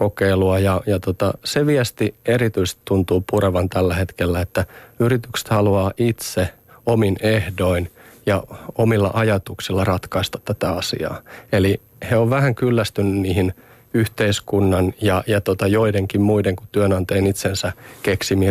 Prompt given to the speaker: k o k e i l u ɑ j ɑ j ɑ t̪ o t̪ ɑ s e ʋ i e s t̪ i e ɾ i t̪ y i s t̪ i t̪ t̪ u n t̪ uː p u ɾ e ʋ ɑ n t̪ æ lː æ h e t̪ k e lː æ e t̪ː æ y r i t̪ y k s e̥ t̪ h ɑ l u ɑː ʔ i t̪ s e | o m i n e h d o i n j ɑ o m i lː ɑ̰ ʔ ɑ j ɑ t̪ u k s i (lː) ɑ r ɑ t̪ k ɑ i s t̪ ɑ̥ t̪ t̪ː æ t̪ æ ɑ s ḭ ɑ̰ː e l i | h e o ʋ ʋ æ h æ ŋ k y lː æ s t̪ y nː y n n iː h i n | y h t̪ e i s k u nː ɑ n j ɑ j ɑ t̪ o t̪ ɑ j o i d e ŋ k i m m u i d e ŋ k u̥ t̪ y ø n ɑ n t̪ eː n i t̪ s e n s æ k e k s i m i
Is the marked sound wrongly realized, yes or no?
no